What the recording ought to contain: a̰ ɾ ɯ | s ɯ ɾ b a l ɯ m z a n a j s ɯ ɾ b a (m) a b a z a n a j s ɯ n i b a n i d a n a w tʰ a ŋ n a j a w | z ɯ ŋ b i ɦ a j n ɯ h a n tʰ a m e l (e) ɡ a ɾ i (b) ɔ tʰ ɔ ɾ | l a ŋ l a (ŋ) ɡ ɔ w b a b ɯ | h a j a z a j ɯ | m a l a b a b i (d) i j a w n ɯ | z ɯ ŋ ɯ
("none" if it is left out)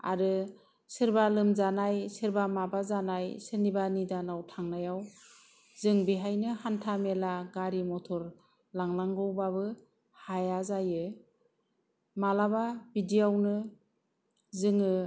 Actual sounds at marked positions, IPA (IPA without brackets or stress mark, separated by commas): m, a, m, ŋ, d